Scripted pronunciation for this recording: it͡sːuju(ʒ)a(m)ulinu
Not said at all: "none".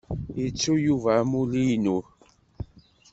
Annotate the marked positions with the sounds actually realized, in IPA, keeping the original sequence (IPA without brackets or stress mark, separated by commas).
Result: v, m